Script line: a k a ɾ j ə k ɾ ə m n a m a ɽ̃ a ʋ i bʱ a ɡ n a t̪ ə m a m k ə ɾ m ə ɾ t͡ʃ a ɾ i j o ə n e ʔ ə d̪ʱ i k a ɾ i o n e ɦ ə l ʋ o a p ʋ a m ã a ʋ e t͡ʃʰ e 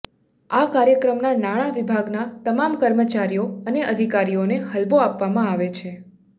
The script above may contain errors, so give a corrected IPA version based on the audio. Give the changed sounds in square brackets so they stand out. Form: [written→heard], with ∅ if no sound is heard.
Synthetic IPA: a k a ɾ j ə k ɾ ə m n a [m→n] a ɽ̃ a ʋ i bʱ a ɡ n a t̪ ə m a m k ə ɾ m ə [ɾ→∅] t͡ʃ a ɾ i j o ə n e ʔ ə d̪ʱ i k a ɾ i o n e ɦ ə l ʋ o a p ʋ a m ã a ʋ e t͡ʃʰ e